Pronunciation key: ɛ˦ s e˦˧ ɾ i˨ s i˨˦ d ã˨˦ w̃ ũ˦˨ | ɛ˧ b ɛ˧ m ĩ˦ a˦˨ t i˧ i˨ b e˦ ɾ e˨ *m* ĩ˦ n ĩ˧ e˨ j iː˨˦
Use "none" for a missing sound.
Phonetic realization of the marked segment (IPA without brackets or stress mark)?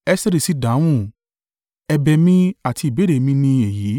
m